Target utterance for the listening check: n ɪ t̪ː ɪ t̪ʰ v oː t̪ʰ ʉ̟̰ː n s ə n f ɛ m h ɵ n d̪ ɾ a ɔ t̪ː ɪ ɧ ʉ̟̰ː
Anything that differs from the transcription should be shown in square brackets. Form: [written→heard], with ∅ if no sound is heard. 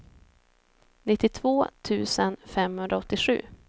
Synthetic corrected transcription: n ɪ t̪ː ɪ t̪ʰ v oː t̪ʰ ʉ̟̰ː [n→∅] s ə n f ɛ m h ɵ n d̪ ɾ a ɔ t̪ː ɪ ɧ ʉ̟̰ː